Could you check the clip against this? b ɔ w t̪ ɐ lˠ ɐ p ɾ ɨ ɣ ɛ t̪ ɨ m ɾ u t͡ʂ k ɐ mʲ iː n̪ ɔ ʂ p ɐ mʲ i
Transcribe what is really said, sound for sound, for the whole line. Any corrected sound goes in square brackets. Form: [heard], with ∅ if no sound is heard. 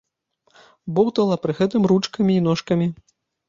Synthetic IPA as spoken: b ɔ w t̪ ɐ lˠ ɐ p ɾ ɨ ɣ ɛ t̪ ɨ m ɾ u t͡ʂ k ɐ mʲ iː n̪ ɔ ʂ [k] ɐ mʲ i